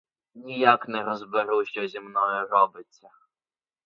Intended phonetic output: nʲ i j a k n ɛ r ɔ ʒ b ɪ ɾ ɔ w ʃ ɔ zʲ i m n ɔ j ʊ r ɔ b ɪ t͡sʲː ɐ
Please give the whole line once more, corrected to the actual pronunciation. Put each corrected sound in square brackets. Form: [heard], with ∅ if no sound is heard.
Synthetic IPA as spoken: nʲ i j a k n ɛ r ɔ [z] b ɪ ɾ [u] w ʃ ɔ zʲ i m n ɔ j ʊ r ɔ b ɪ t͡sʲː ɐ